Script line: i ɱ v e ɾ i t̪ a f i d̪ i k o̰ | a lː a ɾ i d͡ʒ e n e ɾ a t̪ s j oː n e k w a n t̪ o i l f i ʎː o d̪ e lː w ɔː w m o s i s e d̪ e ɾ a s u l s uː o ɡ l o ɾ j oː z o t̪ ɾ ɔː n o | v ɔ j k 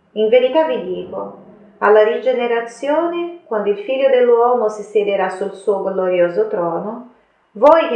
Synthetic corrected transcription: i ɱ v e ɾ i t̪ a v i d̪ iː k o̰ | a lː a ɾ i d͡ʒ e n e ɾ a t̪ s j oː n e k w a n d̪ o i l f i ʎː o d̪ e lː w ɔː m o s i s e d̪ e ɾ a s u l s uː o ɡ l o ɾ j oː z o t̪ ɾ ɔː n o | v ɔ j k